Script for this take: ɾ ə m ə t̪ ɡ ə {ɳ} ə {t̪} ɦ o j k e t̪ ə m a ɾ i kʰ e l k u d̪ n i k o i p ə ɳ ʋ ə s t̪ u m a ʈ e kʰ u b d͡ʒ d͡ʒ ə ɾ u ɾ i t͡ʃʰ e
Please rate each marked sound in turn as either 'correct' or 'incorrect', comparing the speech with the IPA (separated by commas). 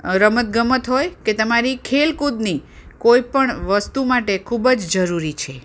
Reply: incorrect, correct